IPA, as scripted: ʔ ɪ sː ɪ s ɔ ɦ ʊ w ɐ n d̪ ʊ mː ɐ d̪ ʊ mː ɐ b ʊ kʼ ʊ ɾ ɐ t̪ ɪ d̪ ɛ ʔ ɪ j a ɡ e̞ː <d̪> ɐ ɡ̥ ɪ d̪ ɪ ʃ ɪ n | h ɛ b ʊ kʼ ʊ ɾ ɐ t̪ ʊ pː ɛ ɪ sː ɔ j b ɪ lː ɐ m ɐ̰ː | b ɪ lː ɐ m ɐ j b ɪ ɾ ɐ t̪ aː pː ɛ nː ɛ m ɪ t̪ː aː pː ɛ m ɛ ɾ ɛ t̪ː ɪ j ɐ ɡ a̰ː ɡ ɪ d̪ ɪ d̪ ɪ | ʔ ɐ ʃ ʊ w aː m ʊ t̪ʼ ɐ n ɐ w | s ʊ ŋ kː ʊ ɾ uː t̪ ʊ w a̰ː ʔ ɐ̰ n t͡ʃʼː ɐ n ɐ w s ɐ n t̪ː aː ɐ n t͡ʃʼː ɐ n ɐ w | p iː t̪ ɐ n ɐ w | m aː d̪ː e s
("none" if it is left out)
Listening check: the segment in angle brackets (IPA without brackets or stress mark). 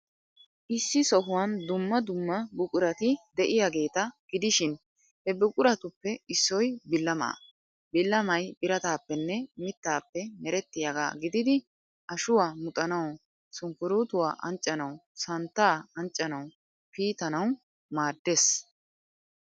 t̪